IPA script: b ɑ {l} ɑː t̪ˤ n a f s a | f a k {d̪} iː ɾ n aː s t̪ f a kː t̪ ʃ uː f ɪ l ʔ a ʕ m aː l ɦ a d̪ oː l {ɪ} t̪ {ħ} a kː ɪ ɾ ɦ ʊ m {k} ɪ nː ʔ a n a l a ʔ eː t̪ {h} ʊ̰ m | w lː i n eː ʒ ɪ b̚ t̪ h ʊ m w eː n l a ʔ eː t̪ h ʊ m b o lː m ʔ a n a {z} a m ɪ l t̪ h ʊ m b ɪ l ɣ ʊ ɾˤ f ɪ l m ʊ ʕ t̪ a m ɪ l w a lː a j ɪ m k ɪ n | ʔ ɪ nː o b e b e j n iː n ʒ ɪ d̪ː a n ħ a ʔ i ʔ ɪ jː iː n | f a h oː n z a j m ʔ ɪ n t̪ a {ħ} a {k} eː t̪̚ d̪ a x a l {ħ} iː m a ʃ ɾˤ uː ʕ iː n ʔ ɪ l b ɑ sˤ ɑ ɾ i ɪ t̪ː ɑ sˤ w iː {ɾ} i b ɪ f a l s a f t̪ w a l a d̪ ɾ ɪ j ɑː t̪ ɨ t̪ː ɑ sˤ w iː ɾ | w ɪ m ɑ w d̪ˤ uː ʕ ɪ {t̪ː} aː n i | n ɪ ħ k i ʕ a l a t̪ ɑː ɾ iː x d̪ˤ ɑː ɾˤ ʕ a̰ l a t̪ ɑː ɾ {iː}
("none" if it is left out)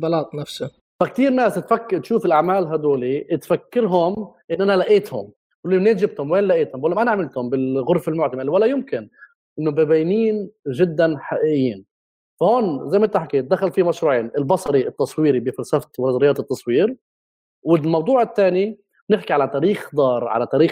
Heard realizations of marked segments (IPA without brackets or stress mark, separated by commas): l, t̪, i, f, ʔ, h, ʕ, ħ, k, f, ɾ, t̪ː, iː